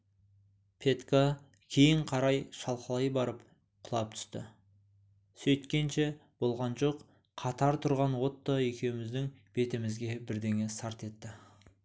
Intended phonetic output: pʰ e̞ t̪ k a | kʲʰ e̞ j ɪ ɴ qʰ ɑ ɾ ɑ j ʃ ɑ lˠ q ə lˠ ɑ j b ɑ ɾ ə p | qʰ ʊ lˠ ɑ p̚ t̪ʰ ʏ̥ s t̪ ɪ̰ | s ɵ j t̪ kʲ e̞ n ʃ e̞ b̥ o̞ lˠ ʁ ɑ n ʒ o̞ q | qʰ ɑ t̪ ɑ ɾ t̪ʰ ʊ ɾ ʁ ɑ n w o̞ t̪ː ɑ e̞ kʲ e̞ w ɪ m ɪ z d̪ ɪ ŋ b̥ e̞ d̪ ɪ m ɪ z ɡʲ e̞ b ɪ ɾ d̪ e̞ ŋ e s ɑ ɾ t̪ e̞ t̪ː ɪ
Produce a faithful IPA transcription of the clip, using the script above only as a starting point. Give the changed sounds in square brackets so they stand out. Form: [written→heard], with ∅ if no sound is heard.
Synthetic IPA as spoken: pʰ e̞ t̪ k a | kʲʰ e̞ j ɪ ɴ qʰ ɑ ɾ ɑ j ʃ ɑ lˠ q ə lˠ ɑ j b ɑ ɾ ə p | qʰ ʊ lˠ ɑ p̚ t̪ʰ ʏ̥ s t̪ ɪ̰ | s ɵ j t̪ kʲ e̞ n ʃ e̞ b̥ o̞ lˠ ʁ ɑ n ʒ o̞ q | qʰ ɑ t̪ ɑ ɾ t̪ʰ ʊ ɾ ʁ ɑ n w o̞ t̪ː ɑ e̞ kʲ e̞ w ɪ m ɪ z d̪ ɪ ŋ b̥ e̞ [d̪→t̪] ɪ m ɪ z ɡʲ e̞ b ɪ ɾ d̪ e̞ ŋ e s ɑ ɾ t̪ e̞ t̪ː ɪ